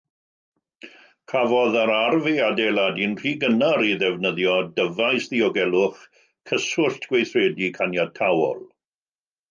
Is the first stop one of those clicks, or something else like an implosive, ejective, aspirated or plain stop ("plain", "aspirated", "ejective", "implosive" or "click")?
aspirated